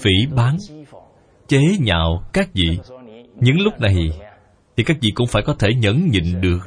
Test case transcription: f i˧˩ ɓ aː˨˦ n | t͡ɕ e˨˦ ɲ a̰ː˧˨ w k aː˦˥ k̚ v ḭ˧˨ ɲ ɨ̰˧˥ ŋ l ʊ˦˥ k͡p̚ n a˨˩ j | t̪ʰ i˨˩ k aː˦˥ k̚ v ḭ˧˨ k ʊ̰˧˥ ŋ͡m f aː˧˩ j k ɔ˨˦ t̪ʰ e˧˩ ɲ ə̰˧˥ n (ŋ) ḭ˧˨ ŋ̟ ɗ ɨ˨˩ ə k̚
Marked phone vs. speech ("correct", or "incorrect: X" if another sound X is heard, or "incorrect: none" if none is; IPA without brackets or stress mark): incorrect: ɲ